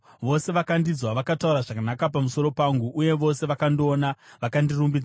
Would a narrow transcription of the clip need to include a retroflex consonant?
yes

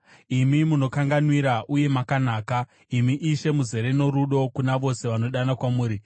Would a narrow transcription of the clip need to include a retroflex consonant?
no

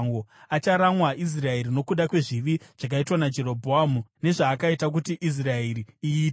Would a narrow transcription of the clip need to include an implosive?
yes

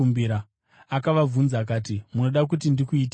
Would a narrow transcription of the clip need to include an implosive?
yes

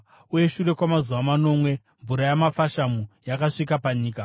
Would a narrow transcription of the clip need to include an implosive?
no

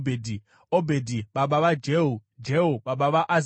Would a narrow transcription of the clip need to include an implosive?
yes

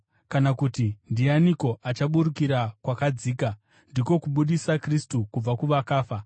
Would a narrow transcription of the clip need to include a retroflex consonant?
no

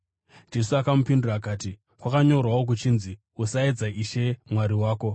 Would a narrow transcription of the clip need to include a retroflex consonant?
no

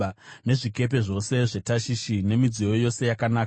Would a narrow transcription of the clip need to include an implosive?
no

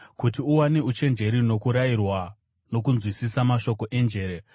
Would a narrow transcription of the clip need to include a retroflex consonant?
no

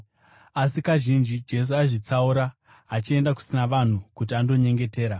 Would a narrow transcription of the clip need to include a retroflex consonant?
yes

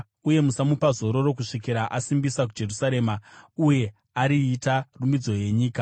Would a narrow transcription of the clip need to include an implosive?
no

